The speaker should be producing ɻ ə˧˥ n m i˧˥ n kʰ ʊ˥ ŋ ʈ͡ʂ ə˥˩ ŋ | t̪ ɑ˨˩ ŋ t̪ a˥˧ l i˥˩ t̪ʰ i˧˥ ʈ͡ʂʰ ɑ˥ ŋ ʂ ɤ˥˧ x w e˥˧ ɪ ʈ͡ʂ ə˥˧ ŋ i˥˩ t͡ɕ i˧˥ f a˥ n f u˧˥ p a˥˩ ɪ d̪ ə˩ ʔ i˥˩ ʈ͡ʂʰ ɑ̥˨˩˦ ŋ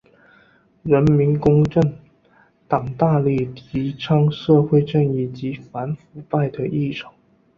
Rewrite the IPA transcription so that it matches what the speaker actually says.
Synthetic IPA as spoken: ɻ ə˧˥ n m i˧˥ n k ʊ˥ ŋ ʈ͡ʂ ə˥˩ ŋ | t̪ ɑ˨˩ ŋ t̪ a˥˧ l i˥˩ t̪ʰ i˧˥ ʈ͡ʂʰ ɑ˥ ŋ ʂ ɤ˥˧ x w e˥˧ ɪ ʈ͡ʂ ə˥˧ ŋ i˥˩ t͡ɕ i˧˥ f a˧˥ n f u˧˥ p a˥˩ ɪ d̪ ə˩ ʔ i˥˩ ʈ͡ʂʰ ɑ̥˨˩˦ ŋ

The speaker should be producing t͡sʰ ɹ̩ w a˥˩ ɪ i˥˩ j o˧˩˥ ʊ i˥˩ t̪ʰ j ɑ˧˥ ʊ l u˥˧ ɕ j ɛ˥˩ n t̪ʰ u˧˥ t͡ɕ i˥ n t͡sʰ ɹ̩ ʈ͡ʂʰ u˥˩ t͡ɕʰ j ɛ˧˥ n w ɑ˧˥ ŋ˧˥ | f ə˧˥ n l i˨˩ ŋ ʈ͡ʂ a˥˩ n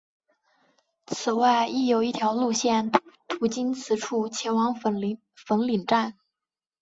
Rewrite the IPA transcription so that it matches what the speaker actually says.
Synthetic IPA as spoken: t͡sʰ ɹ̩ w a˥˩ ɪ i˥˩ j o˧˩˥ ʊ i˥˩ t̪ʰ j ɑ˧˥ ʊ l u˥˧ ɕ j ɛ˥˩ n t̪ʰ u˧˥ t͡ɕ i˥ n t͡sʰ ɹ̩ ʈ͡ʂʰ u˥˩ t͡ɕʰ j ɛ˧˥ n w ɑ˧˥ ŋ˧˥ | f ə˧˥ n l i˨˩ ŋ ʈ͡ʂ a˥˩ n

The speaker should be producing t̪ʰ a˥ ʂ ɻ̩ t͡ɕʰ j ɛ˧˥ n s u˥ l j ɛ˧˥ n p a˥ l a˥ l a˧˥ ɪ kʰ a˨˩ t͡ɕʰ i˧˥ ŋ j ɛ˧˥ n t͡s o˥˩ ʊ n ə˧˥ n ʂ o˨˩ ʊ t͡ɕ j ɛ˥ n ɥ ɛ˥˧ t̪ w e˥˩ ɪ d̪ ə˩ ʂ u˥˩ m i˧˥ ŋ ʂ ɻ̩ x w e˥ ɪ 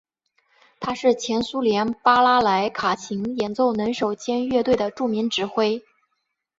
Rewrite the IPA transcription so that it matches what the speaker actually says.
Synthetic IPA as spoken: t̪ʰ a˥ ʂ ɻ̩ t͡ɕʰ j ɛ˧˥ n s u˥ l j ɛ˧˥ n p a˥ l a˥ l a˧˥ ɪ kʰ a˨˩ t͡ɕʰ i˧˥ ŋ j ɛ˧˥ n t͡s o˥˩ ʊ n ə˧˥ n ʂ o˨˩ ʊ t͡ɕ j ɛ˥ n ɥ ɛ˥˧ t̪ w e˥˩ ɪ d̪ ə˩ ʈ͡ʂ u˥˩ m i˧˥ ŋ ʈ͡ʂ ɻ̩ x w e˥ ɪ

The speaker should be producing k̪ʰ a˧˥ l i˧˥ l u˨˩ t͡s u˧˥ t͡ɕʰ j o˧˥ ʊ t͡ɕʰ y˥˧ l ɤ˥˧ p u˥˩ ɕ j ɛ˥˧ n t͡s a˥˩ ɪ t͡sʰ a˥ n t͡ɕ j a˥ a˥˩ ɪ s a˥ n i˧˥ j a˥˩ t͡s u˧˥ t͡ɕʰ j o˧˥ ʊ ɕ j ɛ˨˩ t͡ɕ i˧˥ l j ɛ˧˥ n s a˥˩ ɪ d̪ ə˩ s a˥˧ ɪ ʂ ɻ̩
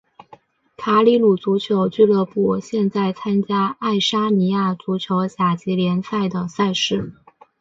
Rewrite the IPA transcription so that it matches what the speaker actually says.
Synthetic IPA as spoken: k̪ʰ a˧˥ l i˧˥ l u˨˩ t͡s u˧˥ t͡ɕʰ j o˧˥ ʊ t͡ɕ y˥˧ l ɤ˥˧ p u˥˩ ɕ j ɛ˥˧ n t͡s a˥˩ ɪ t͡sʰ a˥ n t͡ɕ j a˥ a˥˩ ɪ ʂ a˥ n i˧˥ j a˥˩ t͡s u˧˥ t͡ɕʰ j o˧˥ ʊ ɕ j a˨˩ t͡ɕ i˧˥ l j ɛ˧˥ n s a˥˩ ɪ d̪ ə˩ s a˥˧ ɪ ʂ ɻ̩

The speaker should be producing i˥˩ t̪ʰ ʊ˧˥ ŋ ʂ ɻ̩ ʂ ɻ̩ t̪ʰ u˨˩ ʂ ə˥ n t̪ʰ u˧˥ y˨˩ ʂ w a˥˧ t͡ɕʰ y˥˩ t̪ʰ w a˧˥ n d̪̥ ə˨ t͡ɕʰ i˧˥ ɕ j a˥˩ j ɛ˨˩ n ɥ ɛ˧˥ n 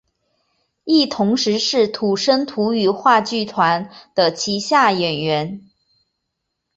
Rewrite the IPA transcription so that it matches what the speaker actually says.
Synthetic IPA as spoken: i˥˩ t̪ʰ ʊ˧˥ ŋ ʂ ɻ̩ ʂ ɻ̩ t̪ʰ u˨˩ ʂ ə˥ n t̪ʰ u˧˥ y˨˩ x w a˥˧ t͡ɕ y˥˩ t̪ʰ w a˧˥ n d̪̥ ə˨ t͡ɕʰ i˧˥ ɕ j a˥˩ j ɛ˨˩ n ɥ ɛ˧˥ n

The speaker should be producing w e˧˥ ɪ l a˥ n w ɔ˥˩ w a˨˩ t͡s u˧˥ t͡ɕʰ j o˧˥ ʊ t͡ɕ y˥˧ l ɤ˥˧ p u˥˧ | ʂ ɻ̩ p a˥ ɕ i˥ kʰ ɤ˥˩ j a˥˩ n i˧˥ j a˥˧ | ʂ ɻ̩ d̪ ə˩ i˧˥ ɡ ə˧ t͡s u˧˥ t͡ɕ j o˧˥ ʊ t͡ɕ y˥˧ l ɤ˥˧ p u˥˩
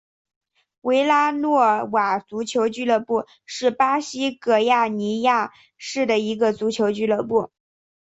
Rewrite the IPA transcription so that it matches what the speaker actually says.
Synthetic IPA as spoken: w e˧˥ ɪ l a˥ n w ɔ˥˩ w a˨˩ t͡s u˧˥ t͡ɕʰ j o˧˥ ʊ t͡ɕ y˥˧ l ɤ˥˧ p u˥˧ | ʂ ɻ̩ p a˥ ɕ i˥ k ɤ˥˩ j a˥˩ n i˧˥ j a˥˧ | ʂ ɻ̩ d̪ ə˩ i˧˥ ɡ ə˧ t͡s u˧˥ t͡ɕʰ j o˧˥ ʊ t͡ɕ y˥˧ l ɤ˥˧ p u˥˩

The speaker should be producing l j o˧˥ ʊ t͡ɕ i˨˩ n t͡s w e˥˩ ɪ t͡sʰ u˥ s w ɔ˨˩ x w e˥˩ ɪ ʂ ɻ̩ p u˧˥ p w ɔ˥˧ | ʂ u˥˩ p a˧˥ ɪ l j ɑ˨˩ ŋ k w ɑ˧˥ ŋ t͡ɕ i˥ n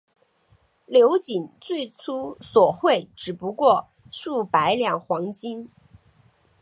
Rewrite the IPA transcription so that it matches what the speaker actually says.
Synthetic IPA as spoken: l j o˧˥ ʊ t͡ɕ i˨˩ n t͡s w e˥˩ ɪ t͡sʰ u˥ s w ɔ˨˩ x w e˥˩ ɪ ʈ͡ʂ ɻ̩ p u˧˥ k w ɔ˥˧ | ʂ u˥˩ p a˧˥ ɪ l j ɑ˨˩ ŋ x w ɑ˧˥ ŋ t͡ɕ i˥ n

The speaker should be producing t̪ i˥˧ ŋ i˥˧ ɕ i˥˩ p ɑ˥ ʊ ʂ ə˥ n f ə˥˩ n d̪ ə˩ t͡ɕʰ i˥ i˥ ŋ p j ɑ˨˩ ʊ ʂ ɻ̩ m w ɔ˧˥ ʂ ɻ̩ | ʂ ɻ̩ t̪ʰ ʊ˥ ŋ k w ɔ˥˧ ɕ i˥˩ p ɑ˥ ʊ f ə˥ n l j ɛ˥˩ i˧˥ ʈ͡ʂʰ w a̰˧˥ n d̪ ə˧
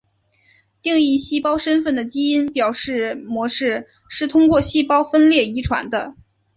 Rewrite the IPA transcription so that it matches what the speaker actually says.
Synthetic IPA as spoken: t̪ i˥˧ ŋ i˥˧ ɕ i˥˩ p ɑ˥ ʊ ʂ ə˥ n f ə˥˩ n d̪ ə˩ t͡ɕ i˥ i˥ n p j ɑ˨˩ ʊ ʂ ɻ̩ m w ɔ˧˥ ʂ ɻ̩ | ʂ ɻ̩ t̪ʰ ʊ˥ ŋ k w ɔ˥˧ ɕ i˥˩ p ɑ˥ ʊ f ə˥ n l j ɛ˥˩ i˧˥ ʈ͡ʂʰ w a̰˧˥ n d̪ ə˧

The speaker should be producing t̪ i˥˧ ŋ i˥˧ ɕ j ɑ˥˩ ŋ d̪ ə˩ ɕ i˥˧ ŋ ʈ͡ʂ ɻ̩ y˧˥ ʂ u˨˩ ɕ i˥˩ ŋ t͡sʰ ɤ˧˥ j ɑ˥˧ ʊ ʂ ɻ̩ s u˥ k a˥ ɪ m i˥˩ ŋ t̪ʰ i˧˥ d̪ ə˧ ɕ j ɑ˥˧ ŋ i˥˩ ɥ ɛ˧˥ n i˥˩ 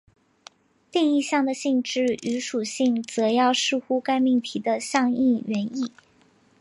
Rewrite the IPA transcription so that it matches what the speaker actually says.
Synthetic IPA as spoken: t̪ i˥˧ ŋ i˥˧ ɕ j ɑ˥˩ ŋ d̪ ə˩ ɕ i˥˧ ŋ ʈ͡ʂ ɻ̩ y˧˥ ʂ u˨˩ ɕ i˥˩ ŋ t͡s ɤ˧˥ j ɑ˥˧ ʊ ʂ ɻ̩ x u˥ k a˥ ɪ m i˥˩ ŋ t̪ʰ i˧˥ d̪ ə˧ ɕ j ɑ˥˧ ŋ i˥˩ ɥ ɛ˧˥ n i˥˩

